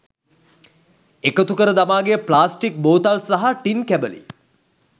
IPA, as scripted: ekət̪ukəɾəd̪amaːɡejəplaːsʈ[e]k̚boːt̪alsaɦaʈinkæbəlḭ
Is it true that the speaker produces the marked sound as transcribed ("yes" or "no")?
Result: no